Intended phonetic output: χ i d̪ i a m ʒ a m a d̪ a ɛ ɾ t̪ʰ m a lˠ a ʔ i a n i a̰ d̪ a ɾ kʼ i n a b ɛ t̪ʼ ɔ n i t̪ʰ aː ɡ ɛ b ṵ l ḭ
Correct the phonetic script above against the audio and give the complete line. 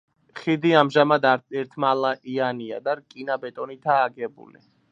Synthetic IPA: χ i d̪ i a m ʒ a m a d̪ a ɛ ɾ t̪ʰ m a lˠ a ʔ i a n i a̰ d̪ a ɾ kʼ i n a b ɛ t̪ʼ ɔ n i t̪ʰ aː ɡ ɛ b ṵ l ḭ